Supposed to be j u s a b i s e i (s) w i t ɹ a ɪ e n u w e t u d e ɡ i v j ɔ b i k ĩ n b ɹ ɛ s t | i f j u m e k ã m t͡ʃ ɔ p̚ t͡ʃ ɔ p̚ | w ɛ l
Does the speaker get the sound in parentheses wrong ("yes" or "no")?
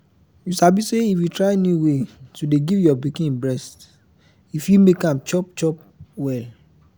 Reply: yes